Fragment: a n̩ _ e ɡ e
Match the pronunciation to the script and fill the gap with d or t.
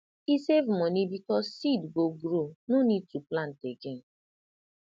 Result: t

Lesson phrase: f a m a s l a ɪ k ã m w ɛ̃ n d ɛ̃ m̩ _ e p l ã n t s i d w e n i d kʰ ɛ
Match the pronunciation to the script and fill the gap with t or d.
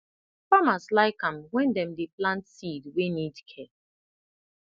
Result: d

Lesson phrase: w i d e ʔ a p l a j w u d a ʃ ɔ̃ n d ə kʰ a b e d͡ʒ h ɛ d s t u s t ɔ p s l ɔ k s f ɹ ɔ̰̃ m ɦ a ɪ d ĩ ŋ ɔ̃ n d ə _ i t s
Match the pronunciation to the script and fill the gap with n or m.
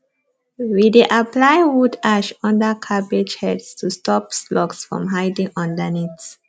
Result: n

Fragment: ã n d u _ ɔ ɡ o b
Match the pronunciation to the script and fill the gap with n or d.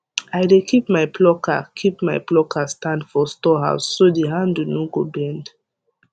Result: n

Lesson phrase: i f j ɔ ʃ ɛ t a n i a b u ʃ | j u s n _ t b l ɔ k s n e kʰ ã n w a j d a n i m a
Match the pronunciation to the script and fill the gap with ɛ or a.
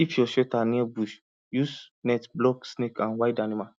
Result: ɛ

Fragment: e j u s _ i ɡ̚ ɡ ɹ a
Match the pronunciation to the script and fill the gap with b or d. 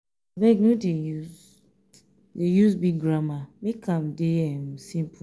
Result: b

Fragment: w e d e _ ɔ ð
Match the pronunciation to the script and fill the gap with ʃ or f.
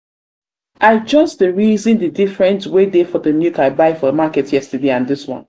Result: f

